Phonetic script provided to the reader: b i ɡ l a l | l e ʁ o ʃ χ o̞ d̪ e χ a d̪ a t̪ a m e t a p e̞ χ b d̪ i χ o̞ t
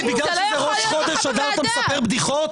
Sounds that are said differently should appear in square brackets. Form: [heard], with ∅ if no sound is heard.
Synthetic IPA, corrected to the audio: b i ɡ l a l | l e ʁ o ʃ χ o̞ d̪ e [ʃ] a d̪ a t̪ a m e [s] a p e̞ [ʁ] b d̪ i χ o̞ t